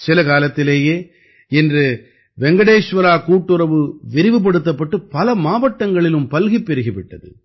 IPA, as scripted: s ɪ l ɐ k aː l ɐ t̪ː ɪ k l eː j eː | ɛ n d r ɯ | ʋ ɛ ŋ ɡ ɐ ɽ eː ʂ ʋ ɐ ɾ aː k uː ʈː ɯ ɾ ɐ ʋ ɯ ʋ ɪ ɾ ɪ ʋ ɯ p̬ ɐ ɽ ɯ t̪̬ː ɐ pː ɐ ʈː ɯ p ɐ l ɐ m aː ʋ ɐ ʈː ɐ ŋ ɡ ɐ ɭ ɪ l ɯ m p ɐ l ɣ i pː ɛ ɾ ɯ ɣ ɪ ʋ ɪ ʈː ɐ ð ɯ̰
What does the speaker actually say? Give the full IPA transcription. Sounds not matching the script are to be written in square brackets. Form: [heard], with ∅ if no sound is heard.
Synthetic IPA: s ɪ l ɐ k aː l ɐ t̪ː ɪ [∅] l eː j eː | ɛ n d r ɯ | ʋ ɛ ŋ ɡ ɐ ɽ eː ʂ ʋ ɐ ɾ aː k uː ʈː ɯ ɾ ɐ ʋ ɯ ʋ ɪ ɾ ɪ ʋ ɯ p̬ ɐ ɽ ɯ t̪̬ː ɐ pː ɐ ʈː ɯ p ɐ l ɐ m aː ʋ ɐ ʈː ɐ ŋ ɡ ɐ ɭ ɪ l ɯ m p ɐ l ɣ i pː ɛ ɾ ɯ ɣ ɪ ʋ ɪ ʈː ɐ ð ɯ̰